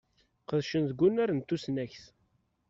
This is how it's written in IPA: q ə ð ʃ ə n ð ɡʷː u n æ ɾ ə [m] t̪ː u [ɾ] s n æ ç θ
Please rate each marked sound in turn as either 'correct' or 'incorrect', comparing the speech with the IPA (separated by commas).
incorrect, incorrect